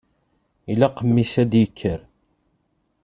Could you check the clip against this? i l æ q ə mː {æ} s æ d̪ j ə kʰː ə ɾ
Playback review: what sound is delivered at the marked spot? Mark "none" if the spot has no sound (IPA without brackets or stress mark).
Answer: i